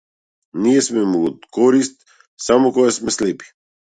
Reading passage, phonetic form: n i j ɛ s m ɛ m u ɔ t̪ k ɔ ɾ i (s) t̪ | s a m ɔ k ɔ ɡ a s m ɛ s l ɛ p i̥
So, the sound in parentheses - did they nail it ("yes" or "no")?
yes